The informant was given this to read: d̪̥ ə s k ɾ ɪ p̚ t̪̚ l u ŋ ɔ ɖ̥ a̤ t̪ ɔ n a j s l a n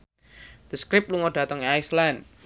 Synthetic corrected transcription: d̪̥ ə s k ɾ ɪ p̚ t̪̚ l u ŋ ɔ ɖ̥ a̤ t̪ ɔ ŋ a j s l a n